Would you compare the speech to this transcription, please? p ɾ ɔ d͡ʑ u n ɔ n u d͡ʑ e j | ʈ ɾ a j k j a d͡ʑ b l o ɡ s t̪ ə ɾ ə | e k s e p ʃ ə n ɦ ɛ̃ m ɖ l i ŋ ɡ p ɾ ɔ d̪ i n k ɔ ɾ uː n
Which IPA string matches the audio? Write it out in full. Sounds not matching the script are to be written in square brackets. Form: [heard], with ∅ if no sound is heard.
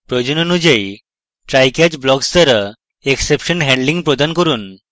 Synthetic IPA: p ɾ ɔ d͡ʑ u n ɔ n u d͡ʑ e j | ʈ ɾ a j k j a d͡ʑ b l [ɔ] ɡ s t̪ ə ɾ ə | e k s e p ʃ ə n ɦ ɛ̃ [ɳ] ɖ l i ŋ ɡ p ɾ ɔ d̪ [a] n k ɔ ɾ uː n